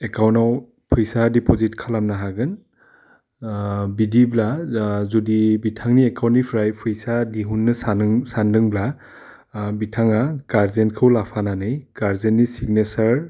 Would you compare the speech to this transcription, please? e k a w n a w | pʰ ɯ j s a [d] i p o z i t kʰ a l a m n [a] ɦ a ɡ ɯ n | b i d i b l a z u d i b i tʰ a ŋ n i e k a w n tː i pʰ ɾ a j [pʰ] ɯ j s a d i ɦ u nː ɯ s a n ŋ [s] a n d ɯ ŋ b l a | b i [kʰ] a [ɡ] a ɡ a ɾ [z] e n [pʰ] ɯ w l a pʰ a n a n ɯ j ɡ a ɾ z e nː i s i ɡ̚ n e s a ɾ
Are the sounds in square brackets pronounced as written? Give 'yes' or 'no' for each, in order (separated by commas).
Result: yes, yes, yes, yes, no, no, yes, no